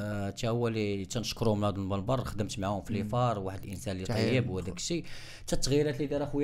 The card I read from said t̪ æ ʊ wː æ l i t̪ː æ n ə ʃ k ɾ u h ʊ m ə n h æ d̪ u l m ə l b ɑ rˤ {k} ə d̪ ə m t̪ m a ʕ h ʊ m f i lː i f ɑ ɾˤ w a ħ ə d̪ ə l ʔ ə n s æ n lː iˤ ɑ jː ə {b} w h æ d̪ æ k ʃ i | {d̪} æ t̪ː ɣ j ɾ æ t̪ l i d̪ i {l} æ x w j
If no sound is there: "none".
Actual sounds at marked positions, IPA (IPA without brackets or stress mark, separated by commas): x, b, t̪, ɾ